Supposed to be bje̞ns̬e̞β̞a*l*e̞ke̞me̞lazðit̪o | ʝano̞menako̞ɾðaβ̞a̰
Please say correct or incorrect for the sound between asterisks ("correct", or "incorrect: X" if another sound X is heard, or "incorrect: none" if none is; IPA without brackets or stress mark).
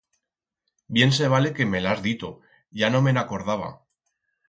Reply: correct